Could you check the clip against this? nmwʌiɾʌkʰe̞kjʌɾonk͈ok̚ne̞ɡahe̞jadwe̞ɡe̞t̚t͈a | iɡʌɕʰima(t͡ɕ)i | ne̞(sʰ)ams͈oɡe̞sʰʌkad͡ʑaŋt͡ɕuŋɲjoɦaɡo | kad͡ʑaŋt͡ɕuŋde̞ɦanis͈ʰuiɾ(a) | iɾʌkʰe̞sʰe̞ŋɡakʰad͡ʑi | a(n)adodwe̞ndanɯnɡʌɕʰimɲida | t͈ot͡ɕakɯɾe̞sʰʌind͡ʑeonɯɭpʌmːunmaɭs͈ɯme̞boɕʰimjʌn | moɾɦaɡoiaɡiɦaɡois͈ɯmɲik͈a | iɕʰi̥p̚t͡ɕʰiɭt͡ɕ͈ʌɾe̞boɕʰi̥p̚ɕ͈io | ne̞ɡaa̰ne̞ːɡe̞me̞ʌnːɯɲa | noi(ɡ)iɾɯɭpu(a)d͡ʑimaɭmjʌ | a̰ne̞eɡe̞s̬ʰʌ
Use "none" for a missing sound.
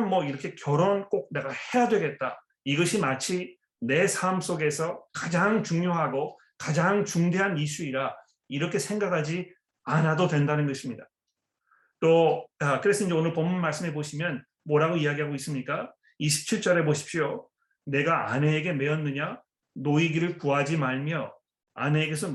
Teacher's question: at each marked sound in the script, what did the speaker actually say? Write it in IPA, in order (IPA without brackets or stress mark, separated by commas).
t͡ɕʰ, sʰ, a, n, ɡ, a